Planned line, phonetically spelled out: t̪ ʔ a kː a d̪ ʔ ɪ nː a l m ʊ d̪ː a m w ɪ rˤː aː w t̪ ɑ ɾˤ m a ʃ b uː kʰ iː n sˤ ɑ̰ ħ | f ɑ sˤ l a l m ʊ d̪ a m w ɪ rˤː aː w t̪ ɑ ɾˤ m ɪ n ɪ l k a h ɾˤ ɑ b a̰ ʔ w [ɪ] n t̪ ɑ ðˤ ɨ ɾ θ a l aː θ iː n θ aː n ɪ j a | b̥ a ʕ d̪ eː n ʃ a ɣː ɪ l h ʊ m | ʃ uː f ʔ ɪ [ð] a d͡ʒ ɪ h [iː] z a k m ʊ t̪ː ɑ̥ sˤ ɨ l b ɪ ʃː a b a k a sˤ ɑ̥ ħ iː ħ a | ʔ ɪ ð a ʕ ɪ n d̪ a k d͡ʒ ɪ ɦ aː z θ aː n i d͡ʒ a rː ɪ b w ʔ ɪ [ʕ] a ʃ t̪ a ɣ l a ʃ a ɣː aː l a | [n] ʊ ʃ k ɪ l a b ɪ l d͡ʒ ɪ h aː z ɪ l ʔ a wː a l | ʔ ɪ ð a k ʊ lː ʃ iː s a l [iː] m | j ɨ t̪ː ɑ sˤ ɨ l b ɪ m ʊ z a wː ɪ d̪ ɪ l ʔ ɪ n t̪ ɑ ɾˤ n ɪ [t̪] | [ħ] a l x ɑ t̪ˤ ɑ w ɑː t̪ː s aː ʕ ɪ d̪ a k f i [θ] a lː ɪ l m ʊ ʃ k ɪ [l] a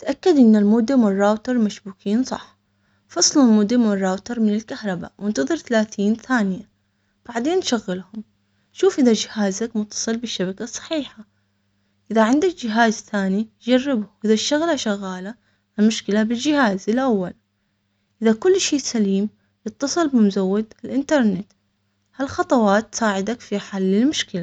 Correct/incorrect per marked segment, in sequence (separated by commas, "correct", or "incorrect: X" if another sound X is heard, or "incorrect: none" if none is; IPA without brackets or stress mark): correct, correct, incorrect: aː, incorrect: ð, incorrect: m, correct, correct, incorrect: h, incorrect: ħ, correct